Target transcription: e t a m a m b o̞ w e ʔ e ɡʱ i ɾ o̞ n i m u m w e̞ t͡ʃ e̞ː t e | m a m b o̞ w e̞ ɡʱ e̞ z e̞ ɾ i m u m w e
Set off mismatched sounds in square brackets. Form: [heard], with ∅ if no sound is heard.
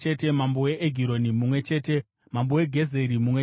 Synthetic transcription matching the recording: e t [e] m a m b o̞ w e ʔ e ɡʱ i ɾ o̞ n i m u m w e̞ t͡ʃ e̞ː t e | m a m b o̞ w e̞ ɡʱ e̞ z e̞ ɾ i m u m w e

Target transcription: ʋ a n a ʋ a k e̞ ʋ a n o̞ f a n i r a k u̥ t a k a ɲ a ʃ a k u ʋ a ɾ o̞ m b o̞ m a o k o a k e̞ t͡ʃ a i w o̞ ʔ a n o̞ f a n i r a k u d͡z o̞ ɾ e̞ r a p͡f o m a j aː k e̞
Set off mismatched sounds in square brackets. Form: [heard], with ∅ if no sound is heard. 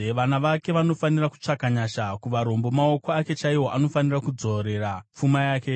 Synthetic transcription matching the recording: ʋ a n a ʋ a k e̞ ʋ a n o̞ f a n i r a k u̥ [t͡ʂ] a k a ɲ a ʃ a k u ʋ a ɾ o̞ m b o̞ m a o k o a k e̞ t͡ʃ a i w o̞ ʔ a n o̞ f a n i r a k u d͡z o̞ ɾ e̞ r a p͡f [u] m a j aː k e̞

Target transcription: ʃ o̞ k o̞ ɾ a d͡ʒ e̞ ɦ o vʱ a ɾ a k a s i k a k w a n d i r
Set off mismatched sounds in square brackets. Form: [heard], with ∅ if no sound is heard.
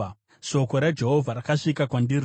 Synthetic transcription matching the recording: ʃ o̞ k o̞ ɾ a d͡ʒ e̞ ɦ o vʱ a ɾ a k a [ʂ] i k a k w a n d i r

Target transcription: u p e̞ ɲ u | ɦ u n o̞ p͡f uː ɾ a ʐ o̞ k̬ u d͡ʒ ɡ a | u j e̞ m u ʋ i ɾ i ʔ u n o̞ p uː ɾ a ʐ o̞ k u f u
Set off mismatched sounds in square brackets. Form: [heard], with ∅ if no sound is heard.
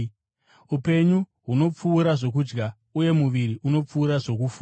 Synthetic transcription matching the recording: u p e̞ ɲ u | ɦ u n o̞ p͡f uː ɾ a ʐ o̞ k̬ u d͡ʒ ɡ a | u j e̞ m u ʋ i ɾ i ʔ u n o̞ [p͡f] uː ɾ a ʐ o̞ k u f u

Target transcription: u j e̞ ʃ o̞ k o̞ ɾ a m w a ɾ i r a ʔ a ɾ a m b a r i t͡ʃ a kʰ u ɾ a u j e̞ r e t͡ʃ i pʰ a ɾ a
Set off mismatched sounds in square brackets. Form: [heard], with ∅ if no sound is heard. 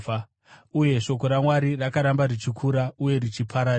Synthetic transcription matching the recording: u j e̞ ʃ o̞ k o̞ ɾ a m w a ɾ i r a [k] a ɾ a m b a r i t͡ʃ [i] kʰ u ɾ a u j e̞ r [i] t͡ʃ i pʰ a ɾ a

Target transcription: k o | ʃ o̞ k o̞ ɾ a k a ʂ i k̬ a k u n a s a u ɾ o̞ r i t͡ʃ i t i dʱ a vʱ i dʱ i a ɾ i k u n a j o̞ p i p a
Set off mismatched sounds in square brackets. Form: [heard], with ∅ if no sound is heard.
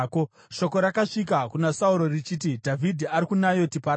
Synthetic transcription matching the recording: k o | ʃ o̞ k o̞ ɾ a k a ʂ i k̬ a k u n a s a u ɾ o̞ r i t͡ʃ i t i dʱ a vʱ i dʱ i a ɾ i k u n a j o̞ [t] i p a

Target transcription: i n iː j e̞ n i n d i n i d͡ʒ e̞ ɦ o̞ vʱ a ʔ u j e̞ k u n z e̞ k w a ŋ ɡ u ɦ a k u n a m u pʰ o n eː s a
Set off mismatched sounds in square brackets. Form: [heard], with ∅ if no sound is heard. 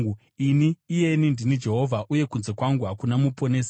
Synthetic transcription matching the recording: i n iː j e̞ n i n d i n i d͡ʒ e̞ ɦ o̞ vʱ a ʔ u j e̞ k u n z e̞ k w a ŋ ɡ u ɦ a k u n a m u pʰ o n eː s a

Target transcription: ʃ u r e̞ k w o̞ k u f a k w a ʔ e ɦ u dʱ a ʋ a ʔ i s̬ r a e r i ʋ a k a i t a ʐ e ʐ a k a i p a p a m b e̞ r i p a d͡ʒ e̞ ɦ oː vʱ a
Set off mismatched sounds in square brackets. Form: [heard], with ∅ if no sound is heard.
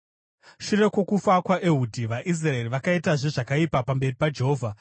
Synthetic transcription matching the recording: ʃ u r e̞ k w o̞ k u f a k w a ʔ e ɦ u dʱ [i] ʋ a ʔ i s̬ r a e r i ʋ a k a i t a ʐ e ʐ a k a i p a p a m b e̞ r i p a d͡ʒ e̞ ɦ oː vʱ a

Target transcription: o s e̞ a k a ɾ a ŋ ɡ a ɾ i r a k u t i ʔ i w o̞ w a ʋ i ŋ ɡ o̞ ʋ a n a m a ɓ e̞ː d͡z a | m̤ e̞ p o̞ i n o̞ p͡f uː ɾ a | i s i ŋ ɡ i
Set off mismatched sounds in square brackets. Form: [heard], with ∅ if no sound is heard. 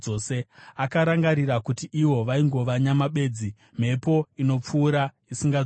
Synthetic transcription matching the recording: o s e̞ a k a ɾ a ŋ ɡ a ɾ i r a k u t i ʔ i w o̞ [ʋ] a [∅] i ŋ ɡ o̞ ʋ a [ɲ] a m a ɓ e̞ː d͡z [i] | m̤ e̞ p o̞ i n o̞ p͡f uː ɾ a | i s i ŋ ɡ [a]

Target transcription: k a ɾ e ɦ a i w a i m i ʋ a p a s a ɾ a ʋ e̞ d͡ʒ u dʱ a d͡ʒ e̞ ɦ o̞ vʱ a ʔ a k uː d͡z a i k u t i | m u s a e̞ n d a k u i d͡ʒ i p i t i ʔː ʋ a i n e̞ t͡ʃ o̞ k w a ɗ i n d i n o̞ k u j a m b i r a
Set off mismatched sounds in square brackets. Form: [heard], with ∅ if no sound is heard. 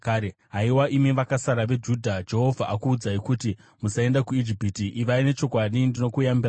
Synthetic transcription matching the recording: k a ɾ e ɦ a i w a i m i ʋ a [k] a s a ɾ a ʋ e̞ d͡ʒ u dʱ a d͡ʒ e̞ ɦ o̞ vʱ a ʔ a k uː d͡z a i k u t i | m u s a e̞ n d a k u i d͡ʒ i p i t i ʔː ʋ a i n e̞ t͡ʃ o̞ k w a ɗ i n d i n o̞ k u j a m b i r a

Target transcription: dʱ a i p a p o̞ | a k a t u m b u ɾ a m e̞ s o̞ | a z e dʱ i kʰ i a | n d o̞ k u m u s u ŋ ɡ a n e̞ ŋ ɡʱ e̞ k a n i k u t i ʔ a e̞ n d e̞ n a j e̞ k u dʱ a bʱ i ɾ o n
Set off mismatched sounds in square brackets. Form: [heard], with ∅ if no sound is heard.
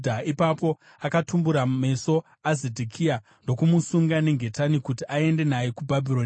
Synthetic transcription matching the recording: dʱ a i p a p o̞ | a k a t u m b u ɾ a m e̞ s o̞ | a z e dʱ i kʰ i a | n d o̞ k u m u s u ŋ ɡ a n e̞ ŋ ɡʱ e̞ [t] a n i k u t i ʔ a e̞ n d e̞ n a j e̞ k u [bʱ] a bʱ i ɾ o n

